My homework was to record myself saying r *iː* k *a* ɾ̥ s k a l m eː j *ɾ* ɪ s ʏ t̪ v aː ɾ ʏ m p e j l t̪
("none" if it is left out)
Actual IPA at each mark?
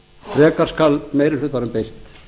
ɛː, a, ɾ

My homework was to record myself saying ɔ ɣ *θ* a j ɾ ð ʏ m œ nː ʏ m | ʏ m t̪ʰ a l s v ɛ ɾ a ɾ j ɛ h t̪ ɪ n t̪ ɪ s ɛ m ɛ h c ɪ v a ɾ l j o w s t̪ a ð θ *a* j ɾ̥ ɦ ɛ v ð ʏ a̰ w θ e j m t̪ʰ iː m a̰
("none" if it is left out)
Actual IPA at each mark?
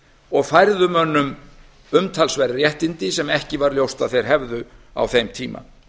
f, e

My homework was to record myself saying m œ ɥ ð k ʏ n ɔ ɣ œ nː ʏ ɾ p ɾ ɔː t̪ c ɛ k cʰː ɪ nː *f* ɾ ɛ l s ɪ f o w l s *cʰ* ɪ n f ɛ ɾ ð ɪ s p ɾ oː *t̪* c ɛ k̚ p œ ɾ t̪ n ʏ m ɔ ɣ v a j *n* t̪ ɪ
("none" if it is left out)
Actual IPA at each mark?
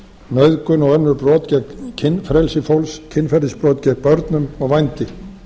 f, cʰ, t̪, n

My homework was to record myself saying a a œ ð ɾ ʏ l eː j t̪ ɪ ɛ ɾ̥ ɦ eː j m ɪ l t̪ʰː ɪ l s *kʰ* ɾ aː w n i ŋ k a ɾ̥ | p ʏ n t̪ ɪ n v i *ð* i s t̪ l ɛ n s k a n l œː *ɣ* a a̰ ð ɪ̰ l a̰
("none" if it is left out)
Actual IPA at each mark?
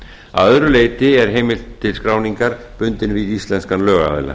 k, ð, ɣ

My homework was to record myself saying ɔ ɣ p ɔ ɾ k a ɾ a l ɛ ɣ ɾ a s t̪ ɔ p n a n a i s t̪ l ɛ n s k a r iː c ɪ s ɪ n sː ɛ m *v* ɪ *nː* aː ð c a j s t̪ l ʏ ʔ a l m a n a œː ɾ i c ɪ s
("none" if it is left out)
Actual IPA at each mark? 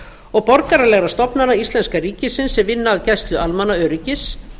v, nː

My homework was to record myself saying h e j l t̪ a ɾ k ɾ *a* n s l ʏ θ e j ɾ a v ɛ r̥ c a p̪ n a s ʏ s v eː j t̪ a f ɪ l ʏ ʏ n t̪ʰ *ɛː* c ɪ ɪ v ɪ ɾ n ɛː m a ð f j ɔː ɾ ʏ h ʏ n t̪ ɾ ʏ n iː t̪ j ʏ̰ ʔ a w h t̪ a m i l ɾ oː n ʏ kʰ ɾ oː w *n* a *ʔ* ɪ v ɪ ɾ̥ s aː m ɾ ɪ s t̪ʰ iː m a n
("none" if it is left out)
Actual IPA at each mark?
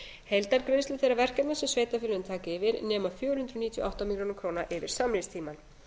e, aː, n, ʔ

